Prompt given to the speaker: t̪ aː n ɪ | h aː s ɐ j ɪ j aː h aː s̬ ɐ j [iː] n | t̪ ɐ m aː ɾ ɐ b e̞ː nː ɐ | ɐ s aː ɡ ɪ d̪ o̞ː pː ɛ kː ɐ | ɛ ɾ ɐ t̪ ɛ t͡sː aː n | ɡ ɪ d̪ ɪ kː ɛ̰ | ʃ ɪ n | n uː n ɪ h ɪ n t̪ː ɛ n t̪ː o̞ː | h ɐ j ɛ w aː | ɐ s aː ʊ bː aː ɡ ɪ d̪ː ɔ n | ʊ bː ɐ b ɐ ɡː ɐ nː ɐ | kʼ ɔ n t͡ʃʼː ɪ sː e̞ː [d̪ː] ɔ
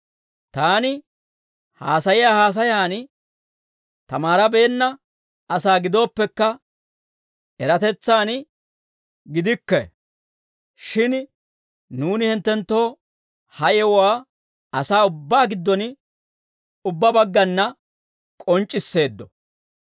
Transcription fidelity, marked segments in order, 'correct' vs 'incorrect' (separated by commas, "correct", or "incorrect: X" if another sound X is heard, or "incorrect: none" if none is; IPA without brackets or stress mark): incorrect: aː, correct